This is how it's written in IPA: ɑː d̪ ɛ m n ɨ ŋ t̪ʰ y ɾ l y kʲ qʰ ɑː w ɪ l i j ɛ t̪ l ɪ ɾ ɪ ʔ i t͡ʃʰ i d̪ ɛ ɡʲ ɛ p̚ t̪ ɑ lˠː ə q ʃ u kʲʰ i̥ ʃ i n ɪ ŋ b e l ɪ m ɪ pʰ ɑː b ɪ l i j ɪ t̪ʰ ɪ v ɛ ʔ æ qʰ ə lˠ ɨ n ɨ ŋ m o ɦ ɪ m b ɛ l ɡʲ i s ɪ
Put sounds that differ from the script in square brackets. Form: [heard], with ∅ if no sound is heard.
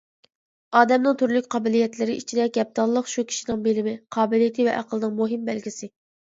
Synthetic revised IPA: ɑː d̪ ɛ m n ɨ ŋ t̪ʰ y ɾ l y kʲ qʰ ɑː [b] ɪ l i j ɛ t̪ l ɪ ɾ ɪ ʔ i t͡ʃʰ i d̪ ɛ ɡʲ ɛ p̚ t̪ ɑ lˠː ə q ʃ u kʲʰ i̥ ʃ i n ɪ ŋ b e l ɪ m ɪ [qʰ] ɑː b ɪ l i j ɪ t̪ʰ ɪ v ɛ ʔ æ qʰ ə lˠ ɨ n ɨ ŋ m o ɦ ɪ m b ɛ l ɡʲ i s ɪ